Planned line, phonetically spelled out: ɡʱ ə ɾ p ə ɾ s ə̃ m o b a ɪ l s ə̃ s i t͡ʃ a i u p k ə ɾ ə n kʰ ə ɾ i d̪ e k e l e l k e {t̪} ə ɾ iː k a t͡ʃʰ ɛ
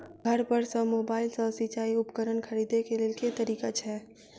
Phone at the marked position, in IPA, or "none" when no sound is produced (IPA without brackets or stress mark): t̪